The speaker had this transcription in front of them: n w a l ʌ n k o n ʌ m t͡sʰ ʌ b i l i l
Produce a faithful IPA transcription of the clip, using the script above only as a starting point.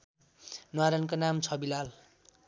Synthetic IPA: n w a ɾ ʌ n k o n a m t͡sʰ ʌ b i l a l